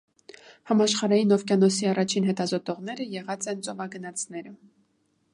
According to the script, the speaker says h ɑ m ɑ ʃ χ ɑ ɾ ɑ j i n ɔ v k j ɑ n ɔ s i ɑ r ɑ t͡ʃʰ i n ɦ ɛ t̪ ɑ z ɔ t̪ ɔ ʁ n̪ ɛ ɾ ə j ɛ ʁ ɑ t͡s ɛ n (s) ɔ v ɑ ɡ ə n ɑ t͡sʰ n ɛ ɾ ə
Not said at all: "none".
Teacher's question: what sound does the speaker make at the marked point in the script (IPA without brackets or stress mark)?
t͡s